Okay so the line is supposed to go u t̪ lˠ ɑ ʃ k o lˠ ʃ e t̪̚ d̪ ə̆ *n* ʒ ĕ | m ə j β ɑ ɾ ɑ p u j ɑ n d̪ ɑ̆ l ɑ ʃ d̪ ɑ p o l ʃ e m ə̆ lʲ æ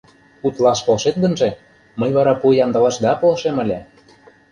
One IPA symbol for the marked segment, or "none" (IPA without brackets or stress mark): n